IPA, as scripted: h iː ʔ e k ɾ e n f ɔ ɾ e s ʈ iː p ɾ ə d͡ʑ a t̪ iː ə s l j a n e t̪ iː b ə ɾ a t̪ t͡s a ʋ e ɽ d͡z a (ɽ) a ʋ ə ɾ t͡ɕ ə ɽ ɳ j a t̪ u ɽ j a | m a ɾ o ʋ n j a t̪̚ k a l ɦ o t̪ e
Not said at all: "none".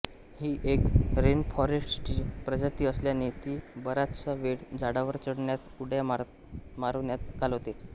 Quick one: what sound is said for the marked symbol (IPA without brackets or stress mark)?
ɽ